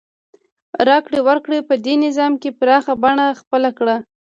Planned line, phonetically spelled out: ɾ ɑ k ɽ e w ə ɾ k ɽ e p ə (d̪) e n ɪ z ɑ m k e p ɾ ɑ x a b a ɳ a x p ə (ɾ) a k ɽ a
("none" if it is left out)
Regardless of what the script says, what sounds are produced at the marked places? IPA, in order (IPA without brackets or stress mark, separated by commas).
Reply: d̪, l